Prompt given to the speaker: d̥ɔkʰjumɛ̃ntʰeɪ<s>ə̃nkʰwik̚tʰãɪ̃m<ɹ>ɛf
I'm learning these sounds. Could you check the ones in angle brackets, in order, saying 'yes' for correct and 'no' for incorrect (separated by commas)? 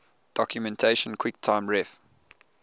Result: no, yes